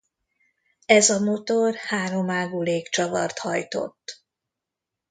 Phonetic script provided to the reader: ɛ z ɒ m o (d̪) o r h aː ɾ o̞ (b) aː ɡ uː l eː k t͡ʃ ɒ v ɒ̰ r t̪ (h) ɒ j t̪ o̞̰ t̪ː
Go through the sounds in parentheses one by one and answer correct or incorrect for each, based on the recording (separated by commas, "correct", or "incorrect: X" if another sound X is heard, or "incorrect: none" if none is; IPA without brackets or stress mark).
incorrect: t̪, incorrect: m, correct